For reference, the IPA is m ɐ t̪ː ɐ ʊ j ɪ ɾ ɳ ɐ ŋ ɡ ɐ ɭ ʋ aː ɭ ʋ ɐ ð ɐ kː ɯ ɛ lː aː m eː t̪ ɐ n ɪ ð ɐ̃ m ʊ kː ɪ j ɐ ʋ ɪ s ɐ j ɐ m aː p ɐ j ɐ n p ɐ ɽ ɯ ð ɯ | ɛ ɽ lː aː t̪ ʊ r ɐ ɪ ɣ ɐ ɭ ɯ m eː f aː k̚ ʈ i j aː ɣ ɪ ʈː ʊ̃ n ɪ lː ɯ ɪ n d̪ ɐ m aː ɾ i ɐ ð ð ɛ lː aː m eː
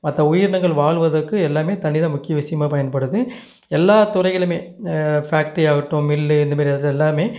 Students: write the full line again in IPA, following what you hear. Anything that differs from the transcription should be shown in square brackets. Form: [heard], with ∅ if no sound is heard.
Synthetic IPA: m ɐ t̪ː ɐ ʊ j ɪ ɾ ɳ ɐ ŋ ɡ ɐ ɭ ʋ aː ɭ ʋ ɐ ð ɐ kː ɯ ɛ lː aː m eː t̪ ɐ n ɪ ð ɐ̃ m ʊ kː ɪ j ɐ ʋ ɪ s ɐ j ɐ m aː p ɐ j ɐ n p ɐ ɽ ɯ ð ɯ | ɛ [∅] lː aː t̪ ʊ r ɐ ɪ ɣ ɐ ɭ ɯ m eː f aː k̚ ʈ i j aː ɣ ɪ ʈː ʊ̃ [m] ɪ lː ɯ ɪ n d̪ ɐ m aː ɾ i ɐ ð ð ɛ lː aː m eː